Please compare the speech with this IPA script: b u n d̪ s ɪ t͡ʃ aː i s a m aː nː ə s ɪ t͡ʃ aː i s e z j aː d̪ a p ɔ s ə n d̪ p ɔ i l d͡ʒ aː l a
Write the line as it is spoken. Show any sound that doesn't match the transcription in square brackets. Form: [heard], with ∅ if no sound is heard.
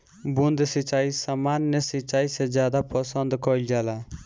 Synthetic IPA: b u n d̪ s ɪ t͡ʃ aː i s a m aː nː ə s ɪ t͡ʃ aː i s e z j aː d̪ a p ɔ s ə n d̪ [k] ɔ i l d͡ʒ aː l a